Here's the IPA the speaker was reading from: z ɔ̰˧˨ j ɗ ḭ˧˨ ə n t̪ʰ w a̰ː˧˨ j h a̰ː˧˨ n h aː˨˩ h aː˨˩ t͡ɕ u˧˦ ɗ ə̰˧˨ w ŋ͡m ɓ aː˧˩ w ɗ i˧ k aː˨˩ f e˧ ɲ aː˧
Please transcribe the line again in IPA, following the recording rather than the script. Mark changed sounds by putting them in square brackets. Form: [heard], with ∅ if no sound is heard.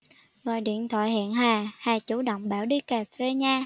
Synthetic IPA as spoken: [ɣ] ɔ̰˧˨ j ɗ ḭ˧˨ ə n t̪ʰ w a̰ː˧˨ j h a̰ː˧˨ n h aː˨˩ h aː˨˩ t͡ɕ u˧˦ ɗ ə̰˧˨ w ŋ͡m ɓ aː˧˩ w ɗ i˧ k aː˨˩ f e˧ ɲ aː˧